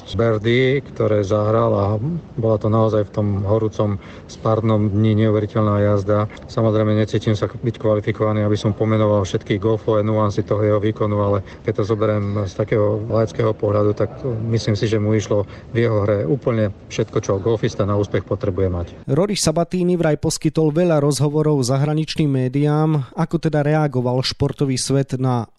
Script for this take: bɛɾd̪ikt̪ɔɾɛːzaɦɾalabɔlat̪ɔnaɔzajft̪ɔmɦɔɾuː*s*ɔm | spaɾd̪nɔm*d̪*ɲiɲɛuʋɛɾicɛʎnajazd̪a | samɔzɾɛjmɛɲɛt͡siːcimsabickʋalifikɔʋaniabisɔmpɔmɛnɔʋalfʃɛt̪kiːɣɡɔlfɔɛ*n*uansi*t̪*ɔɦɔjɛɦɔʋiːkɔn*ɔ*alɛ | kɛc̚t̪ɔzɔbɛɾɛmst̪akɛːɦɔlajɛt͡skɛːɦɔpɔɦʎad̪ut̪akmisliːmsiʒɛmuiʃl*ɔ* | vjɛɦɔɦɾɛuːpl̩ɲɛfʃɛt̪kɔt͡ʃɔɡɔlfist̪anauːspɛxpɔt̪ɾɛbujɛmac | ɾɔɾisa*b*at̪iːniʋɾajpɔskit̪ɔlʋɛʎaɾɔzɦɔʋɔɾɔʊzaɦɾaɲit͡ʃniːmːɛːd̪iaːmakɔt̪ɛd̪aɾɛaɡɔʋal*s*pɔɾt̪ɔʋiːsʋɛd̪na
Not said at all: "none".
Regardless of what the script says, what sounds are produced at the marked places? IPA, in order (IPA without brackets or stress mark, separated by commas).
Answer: t͡s, d̪, n, t̪, u, ɔ, b, ʃ